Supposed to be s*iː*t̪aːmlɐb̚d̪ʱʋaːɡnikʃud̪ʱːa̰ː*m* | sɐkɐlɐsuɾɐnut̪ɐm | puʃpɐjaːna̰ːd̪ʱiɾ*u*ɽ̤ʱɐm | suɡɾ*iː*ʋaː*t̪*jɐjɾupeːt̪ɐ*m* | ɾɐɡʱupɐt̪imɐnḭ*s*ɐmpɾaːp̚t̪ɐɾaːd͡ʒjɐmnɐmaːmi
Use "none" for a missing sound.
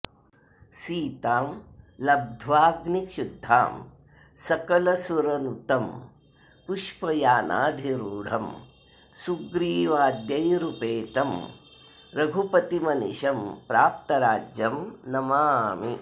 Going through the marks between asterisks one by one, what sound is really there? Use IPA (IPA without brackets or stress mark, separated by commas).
iː, m, uː, iː, d̪, m, ʃ